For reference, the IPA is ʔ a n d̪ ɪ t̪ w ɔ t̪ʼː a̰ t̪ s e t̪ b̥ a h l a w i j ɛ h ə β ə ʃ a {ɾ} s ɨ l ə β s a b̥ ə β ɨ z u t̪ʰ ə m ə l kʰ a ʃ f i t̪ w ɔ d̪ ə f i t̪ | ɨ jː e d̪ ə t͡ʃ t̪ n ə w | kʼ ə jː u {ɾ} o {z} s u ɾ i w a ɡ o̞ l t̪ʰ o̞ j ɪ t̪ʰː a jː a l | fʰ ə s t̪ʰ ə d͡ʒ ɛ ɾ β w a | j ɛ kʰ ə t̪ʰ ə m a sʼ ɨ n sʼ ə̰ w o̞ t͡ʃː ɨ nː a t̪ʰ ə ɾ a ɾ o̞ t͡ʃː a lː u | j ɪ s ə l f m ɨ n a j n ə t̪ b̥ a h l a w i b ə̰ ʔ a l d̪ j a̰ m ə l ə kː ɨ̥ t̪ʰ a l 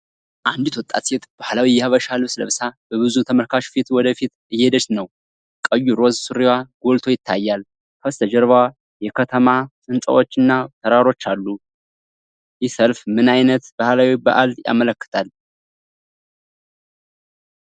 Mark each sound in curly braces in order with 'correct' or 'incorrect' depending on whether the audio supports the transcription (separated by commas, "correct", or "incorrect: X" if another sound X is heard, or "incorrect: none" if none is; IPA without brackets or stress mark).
incorrect: l, correct, correct